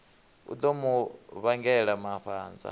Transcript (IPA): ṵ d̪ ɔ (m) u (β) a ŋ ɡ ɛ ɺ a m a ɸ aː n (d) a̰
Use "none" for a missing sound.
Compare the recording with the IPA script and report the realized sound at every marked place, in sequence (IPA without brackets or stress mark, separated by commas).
m, β, d͡z